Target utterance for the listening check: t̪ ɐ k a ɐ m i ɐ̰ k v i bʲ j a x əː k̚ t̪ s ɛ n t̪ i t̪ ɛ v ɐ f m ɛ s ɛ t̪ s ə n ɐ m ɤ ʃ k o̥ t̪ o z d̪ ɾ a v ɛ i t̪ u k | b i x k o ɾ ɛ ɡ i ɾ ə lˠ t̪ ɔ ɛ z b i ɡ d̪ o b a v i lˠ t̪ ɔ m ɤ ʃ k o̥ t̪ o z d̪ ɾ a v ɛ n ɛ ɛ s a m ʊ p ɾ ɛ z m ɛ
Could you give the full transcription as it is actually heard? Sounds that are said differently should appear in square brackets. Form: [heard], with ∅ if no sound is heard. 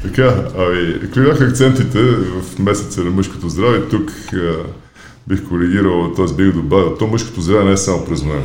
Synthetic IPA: t̪ ɐ k a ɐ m i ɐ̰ k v i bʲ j a x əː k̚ t̪ s ɛ n t̪ i t̪ ɛ v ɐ f m ɛ s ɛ t̪ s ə n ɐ m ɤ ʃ k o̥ t̪ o z d̪ ɾ a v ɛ i t̪ u k | b i x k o ɾ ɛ ɡ i ɾ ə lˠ t̪ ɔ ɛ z b i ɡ d̪ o b a v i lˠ t̪ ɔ m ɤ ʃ k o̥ t̪ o z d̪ ɾ a v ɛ n ɛ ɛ s a m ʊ p ɾ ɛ z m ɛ